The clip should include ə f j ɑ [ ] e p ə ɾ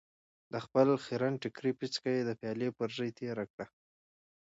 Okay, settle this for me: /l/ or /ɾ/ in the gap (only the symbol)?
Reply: l